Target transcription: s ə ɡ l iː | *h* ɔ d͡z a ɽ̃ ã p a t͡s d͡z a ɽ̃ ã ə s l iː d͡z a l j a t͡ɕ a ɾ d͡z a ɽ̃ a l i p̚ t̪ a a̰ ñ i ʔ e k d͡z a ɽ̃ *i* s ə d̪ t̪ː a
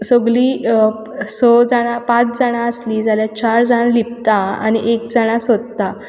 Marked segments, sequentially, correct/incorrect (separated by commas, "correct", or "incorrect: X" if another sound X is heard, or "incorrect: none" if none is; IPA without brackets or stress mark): incorrect: s, incorrect: a